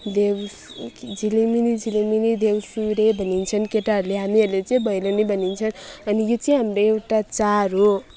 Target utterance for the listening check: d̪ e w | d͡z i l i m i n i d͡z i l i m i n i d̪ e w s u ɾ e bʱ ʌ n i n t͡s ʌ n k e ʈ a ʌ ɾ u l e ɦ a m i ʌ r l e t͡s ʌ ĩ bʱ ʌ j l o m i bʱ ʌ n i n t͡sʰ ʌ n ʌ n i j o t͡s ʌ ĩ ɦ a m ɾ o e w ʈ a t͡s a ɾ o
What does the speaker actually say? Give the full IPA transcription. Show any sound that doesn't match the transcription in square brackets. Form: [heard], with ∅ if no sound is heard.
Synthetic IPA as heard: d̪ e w | d͡z i l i m i n i d͡z i l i m i n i d̪ e w s u ɾ e bʱ ʌ n i n [t͡sʰ] ʌ n k e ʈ a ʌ ɾ u l e ɦ a m i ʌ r l e t͡s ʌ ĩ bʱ ʌ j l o [n] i bʱ ʌ n i n t͡sʰ ʌ n ʌ n i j o t͡s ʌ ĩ ɦ a m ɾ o e w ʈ a t͡s a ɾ o